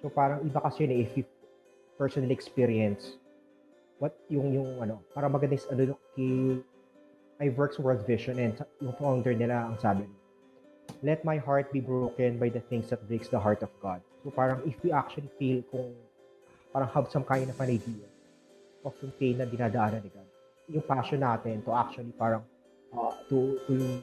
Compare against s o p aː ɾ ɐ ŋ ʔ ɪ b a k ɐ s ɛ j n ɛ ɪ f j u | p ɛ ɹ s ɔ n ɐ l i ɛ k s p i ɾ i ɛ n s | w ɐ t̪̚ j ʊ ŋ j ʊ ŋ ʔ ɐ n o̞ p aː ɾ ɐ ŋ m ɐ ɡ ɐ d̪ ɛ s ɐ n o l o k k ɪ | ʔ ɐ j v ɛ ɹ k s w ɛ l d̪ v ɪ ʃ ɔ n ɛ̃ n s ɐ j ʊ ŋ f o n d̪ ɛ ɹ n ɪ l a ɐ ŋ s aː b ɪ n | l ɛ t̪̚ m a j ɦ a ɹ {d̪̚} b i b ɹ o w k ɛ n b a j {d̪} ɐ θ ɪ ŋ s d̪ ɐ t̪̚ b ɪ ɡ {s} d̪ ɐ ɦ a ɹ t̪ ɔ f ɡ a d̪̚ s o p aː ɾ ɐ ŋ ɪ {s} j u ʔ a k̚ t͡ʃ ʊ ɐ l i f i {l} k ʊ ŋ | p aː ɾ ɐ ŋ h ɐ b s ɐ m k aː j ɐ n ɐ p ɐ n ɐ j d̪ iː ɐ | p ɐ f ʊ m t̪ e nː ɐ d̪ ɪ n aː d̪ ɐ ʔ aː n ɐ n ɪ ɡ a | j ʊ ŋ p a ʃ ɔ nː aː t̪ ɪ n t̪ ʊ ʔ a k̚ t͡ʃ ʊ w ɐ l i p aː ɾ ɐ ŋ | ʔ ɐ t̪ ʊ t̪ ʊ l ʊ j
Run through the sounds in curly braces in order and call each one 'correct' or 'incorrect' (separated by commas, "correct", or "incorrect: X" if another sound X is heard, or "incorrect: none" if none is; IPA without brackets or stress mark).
incorrect: t̪̚, correct, correct, incorrect: f, correct